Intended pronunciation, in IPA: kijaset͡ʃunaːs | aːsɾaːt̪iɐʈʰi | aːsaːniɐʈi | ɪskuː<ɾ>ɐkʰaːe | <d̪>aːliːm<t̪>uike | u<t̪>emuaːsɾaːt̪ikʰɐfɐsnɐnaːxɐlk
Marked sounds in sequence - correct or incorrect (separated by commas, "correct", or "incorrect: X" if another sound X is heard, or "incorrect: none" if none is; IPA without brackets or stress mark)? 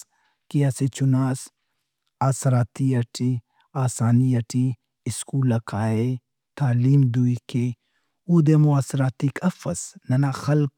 incorrect: l, incorrect: t̪, incorrect: d̪, incorrect: d̪